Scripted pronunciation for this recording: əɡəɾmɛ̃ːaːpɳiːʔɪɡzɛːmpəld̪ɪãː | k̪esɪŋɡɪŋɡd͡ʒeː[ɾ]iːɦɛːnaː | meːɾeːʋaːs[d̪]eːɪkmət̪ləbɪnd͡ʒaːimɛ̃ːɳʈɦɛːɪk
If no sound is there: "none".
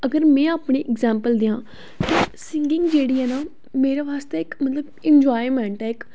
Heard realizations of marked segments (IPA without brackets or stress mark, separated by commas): ɽ, t̪